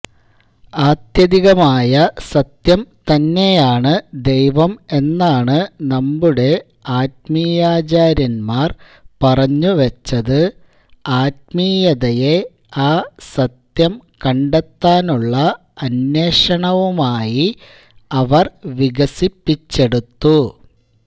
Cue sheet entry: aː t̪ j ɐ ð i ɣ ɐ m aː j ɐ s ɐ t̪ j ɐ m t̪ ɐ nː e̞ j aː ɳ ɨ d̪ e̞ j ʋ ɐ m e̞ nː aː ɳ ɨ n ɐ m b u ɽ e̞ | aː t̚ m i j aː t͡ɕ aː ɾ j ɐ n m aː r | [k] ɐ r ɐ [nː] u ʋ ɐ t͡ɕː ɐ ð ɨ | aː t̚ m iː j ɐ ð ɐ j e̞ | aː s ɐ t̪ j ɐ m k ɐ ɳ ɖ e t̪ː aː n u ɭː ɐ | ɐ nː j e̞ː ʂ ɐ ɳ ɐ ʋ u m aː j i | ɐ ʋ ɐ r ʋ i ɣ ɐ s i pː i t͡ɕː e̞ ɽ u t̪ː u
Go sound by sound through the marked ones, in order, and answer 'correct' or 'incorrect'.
incorrect: p, incorrect: ɲː

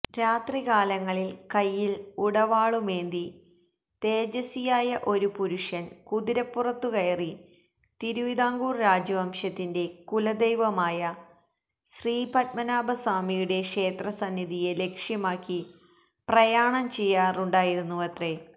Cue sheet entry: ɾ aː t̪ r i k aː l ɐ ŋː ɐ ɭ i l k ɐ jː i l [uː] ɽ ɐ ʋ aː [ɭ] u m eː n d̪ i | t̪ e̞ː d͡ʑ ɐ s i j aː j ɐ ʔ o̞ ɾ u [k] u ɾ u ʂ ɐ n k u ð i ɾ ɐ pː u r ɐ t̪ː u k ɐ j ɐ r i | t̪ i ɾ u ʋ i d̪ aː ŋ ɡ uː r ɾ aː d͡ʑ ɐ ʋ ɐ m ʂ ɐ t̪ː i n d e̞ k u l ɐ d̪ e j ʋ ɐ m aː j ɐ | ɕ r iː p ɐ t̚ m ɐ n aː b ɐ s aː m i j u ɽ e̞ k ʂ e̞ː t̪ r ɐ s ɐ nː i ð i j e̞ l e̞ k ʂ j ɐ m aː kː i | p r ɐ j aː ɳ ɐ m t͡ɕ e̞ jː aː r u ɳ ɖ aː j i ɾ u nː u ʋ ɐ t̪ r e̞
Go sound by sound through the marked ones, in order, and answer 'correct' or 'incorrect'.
incorrect: u, correct, incorrect: p

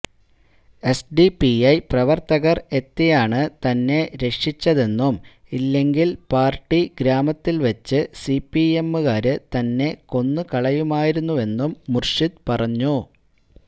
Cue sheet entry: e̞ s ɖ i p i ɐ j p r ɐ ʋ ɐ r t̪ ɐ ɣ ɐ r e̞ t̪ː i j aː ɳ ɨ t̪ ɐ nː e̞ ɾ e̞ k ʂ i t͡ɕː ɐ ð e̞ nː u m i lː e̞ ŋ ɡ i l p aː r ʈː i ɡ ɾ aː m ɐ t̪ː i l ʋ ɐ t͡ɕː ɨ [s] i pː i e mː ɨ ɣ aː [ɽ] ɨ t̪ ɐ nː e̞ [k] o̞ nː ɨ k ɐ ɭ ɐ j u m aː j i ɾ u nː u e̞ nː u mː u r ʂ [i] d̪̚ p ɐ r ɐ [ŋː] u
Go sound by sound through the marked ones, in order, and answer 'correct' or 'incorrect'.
correct, incorrect: ɾ, correct, correct, incorrect: ɲː

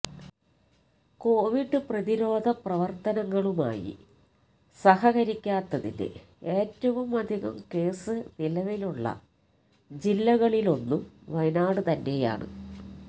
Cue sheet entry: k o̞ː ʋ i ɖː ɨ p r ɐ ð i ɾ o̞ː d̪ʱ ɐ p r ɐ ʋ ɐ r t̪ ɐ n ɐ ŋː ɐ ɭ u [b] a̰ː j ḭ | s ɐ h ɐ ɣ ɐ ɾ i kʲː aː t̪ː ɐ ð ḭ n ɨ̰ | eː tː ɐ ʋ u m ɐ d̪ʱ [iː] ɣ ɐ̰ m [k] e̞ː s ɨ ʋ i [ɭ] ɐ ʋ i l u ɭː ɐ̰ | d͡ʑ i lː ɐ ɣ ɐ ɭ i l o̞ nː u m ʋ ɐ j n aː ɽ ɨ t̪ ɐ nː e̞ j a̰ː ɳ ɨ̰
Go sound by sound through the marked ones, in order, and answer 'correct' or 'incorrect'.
incorrect: m, incorrect: i, correct, incorrect: l

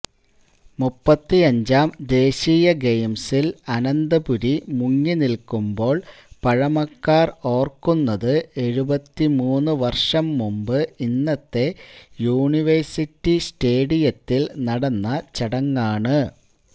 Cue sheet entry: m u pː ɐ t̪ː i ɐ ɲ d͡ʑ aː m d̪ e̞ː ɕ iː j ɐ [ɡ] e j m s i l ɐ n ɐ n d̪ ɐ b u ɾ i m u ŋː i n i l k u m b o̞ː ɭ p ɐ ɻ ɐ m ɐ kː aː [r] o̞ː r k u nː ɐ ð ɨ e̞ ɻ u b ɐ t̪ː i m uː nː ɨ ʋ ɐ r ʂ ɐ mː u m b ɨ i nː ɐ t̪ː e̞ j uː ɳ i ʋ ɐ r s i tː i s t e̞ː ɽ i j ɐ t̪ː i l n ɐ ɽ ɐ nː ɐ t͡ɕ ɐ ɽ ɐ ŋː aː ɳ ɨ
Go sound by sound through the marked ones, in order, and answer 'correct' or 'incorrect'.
correct, correct

